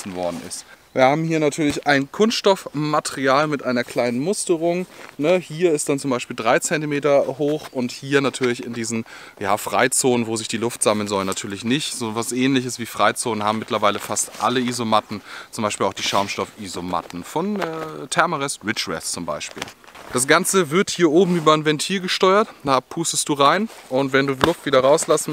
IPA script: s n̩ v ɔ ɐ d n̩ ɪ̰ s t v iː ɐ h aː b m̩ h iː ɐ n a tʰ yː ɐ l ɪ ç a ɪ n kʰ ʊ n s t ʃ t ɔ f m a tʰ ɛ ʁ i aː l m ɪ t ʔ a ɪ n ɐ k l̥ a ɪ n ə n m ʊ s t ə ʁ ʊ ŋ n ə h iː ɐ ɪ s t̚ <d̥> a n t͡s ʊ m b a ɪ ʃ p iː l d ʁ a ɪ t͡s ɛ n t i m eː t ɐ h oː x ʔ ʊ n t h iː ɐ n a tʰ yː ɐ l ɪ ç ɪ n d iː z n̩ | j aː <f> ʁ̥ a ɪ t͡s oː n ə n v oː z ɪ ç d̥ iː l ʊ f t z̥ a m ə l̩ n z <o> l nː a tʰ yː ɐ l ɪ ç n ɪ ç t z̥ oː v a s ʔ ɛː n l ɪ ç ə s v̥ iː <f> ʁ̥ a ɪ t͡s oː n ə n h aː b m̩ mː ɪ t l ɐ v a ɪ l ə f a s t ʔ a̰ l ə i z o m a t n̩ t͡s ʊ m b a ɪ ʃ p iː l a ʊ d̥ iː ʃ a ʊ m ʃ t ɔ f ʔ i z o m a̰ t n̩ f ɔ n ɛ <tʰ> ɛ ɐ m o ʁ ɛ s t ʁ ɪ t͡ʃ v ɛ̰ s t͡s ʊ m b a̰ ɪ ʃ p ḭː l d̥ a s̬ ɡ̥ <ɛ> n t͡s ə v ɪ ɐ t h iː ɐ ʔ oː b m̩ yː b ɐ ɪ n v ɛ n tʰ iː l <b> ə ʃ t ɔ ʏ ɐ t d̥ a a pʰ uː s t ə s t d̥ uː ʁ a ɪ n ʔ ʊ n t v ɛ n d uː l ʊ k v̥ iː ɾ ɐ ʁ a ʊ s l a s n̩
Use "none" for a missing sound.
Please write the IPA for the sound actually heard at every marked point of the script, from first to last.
d̥, f, ɔ, f, tʰ, a, ɡ

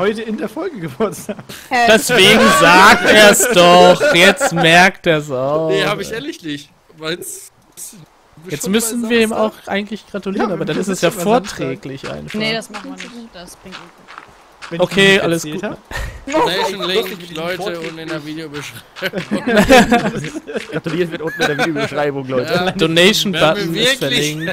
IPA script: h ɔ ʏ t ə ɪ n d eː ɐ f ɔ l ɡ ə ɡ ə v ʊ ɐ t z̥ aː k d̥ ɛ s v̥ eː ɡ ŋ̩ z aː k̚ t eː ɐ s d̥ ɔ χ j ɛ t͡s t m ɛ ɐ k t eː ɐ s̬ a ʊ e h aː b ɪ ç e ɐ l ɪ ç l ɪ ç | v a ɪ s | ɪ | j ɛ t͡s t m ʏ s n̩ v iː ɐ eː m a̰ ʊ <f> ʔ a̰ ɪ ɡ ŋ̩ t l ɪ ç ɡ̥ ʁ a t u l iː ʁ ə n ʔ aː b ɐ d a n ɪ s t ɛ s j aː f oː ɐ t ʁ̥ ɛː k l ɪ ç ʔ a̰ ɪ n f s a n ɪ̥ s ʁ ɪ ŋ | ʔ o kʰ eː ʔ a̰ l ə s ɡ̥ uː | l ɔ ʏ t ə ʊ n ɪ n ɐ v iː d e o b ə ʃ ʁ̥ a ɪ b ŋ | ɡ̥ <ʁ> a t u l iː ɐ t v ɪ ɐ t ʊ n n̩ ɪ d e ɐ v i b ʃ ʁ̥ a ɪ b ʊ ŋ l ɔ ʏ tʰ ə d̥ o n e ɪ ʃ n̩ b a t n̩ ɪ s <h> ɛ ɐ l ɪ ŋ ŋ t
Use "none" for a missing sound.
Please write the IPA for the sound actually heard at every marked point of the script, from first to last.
x, ʁ, f

